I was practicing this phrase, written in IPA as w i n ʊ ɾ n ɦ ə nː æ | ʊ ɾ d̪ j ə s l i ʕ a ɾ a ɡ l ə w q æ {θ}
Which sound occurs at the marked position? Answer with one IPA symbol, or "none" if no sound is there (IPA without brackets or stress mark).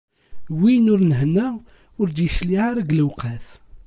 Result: θ